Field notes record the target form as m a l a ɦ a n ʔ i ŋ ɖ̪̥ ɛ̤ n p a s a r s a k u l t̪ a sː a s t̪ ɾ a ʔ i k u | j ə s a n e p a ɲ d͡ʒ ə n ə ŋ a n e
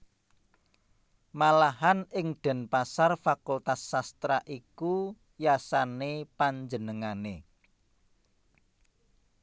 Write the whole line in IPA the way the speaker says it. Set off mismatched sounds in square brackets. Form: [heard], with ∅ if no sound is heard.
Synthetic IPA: m a l a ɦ a n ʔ [ɪ] ŋ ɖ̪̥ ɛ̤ n p a s a r [f] a k u l t̪ a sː a s t̪ ɾ a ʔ i k u | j [a] s a n e p a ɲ d͡ʒ ə n ə ŋ a n e

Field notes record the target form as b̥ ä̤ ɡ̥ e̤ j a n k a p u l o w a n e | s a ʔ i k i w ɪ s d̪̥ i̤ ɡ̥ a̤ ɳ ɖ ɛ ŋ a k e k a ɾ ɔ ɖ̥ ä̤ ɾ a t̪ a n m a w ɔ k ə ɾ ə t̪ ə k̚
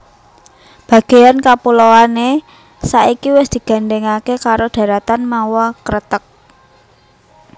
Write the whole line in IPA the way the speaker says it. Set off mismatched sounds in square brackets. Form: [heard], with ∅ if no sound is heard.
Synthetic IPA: b̥ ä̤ ɡ̥ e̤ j a n k a p u l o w a n e | s a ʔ i k i w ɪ s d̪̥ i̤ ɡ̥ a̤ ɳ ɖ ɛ ŋ a k e k a ɾ [o] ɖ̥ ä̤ ɾ a t̪ a n m a w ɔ k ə ɾ ə t̪ ə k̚

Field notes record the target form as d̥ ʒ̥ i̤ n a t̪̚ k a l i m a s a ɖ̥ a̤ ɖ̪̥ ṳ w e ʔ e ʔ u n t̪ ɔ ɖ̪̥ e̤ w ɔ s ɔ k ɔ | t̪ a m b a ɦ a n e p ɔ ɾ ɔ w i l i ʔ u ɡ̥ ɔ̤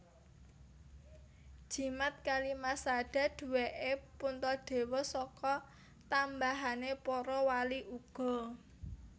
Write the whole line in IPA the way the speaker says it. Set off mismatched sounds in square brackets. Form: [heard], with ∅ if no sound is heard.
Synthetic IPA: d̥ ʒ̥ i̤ [m] a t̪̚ k a l i m a s a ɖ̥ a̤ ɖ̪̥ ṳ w e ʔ e [p] u n t̪ ɔ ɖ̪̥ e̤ w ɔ s ɔ k ɔ | t̪ a m b a ɦ a n e p ɔ ɾ ɔ w [a] l i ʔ u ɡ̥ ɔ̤

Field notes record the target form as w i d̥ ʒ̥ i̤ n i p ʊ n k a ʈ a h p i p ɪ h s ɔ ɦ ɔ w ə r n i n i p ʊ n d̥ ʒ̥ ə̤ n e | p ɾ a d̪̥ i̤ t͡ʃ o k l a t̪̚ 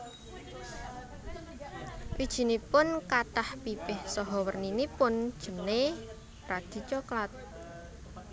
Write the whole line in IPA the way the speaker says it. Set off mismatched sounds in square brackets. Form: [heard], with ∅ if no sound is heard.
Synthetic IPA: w i d̥ ʒ̥ i̤ n i p ʊ n k a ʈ a h p i p ɪ h s ɔ ɦ ɔ w ə r n i n i p ʊ n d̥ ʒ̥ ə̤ n e | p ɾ a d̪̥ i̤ t͡ʃ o k l a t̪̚

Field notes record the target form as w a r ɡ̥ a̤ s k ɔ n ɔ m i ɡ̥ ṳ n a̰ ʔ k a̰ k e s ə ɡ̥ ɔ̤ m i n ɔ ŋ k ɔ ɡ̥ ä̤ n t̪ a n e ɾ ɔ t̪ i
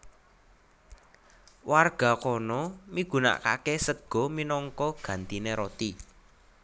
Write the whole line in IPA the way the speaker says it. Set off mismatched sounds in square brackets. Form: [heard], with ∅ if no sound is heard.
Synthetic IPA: w a r ɡ̥ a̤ [∅] k ɔ n ɔ m i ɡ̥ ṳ n a̰ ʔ k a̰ k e s ə ɡ̥ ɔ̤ m i n ɔ ŋ k ɔ ɡ̥ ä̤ n t̪ [i] n e ɾ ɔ t̪ i

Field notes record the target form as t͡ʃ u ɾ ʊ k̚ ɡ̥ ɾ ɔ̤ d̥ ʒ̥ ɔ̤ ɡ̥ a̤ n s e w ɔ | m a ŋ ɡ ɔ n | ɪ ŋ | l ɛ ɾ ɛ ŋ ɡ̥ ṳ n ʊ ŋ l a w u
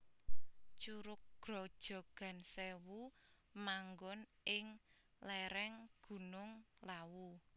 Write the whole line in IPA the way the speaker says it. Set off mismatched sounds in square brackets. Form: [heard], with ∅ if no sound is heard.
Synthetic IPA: t͡ʃ u ɾ ʊ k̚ ɡ̥ ɾ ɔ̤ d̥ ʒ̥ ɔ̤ ɡ̥ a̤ n s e w [u] | m a ŋ ɡ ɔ n | ɪ ŋ | l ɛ ɾ ɛ ŋ ɡ̥ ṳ n ʊ ŋ l a w u

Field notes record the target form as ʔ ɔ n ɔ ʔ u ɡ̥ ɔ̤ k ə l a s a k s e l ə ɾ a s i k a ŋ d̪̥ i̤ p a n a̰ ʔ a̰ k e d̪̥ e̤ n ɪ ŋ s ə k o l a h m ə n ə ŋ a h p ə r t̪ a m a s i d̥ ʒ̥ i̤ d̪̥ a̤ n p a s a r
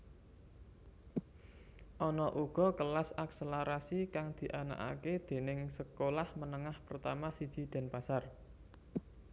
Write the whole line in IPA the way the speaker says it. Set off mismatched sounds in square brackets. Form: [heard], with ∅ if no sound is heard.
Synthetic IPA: ʔ ɔ n ɔ ʔ u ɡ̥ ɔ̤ k ə l a s a k s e l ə ɾ a s i k a ŋ d̪̥ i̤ [ʔ] a n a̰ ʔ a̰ k e d̪̥ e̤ n ɪ ŋ s ə k o l a h m ə n ə ŋ a h p ə r t̪ a m a s i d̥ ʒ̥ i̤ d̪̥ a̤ n p a s a r

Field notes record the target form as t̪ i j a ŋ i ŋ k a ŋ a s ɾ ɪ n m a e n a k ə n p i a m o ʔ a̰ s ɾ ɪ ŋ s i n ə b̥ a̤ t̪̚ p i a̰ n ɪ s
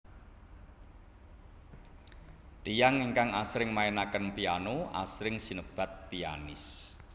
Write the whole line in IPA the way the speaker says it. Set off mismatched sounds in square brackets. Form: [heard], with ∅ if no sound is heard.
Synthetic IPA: t̪ i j a ŋ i ŋ k a ŋ a s ɾ ɪ [ŋ] m a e n a k ə n p i a [n] o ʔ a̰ s ɾ ɪ ŋ s i n ə b̥ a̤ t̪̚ p i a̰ n ɪ s

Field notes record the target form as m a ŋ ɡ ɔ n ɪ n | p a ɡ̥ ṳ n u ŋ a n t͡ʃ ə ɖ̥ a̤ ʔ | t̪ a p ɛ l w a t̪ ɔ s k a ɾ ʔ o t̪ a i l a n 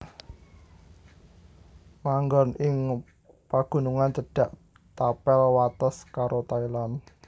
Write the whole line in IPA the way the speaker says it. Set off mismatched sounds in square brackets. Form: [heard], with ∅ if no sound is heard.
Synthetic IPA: m a ŋ ɡ ɔ n ɪ [ŋ] | p a ɡ̥ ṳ n u ŋ a n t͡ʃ ə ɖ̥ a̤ ʔ | t̪ a p ɛ l w a t̪ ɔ s k a ɾ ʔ o t̪ a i l a n

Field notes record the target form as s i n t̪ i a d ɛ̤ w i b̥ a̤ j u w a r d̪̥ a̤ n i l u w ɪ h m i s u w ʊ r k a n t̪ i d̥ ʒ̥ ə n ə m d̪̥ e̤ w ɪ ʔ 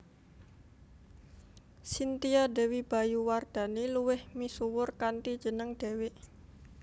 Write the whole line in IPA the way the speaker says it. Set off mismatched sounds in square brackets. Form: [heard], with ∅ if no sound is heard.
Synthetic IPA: s i n t̪ i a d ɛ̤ w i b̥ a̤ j u w a r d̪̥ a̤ n i l u w ɪ h m i s u w ʊ r k a n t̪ i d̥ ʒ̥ ə n ə [ŋ] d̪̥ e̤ w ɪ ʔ

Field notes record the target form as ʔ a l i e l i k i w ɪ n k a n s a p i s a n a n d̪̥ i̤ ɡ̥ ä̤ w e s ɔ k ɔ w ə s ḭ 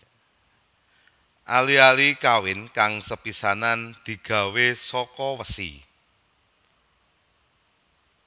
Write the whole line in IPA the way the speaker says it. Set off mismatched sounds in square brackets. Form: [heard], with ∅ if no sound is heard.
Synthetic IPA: ʔ a l i [a] l i k [a] w ɪ n k a [ŋ] s [ə] p i s a n a n d̪̥ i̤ ɡ̥ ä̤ w e s ɔ k ɔ w ə s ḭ

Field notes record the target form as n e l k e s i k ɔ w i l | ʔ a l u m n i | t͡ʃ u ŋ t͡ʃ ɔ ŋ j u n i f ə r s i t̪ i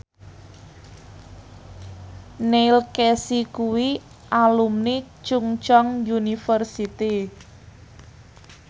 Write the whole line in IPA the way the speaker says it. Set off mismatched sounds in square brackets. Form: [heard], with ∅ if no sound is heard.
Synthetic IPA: n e l k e s i k [u] w i [∅] | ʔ a l u m n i | t͡ʃ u ŋ t͡ʃ ɔ ŋ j u n i f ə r s i t̪ i

